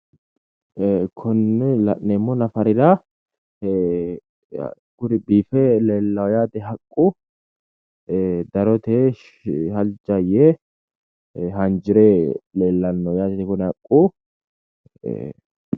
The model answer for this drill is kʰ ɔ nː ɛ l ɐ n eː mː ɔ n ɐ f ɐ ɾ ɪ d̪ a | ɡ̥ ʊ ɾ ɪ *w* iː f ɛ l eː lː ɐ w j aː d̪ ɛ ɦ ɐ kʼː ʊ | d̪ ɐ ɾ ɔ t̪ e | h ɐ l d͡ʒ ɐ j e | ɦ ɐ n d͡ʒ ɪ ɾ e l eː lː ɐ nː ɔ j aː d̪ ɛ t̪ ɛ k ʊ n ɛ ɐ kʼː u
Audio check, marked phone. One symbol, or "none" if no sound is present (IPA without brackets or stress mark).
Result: b